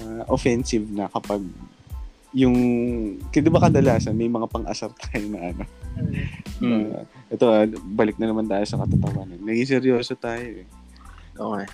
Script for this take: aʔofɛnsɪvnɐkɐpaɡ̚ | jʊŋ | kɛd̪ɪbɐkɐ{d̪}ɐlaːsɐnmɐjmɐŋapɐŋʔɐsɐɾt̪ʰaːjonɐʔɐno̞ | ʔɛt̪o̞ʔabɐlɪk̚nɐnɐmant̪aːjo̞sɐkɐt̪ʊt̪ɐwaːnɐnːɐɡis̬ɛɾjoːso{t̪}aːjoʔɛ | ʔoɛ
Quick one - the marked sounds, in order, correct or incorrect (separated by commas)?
correct, correct